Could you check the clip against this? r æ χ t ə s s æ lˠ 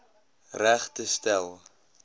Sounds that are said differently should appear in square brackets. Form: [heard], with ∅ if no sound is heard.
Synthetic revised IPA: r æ χ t ə s [t] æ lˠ